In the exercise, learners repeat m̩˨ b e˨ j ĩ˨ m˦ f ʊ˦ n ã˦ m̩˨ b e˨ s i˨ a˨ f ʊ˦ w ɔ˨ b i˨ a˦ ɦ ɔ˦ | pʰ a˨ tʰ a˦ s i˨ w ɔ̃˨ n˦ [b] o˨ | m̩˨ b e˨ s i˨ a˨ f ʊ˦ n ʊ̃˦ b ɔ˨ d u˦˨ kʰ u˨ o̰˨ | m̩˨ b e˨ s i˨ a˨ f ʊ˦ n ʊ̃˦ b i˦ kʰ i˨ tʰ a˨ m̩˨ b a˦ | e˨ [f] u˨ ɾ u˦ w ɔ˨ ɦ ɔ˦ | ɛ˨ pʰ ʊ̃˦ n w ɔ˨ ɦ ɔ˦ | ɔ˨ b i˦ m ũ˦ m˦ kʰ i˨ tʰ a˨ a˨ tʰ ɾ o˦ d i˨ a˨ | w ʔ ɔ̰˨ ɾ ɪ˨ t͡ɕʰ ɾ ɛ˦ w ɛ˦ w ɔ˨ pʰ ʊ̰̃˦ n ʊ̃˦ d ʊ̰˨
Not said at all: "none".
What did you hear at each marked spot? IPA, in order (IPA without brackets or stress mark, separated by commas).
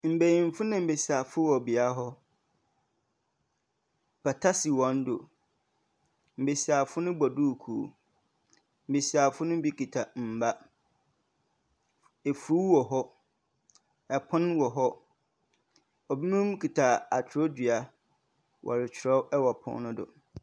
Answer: d, f